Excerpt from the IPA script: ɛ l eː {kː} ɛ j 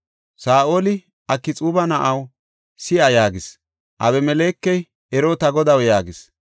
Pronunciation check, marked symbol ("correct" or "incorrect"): correct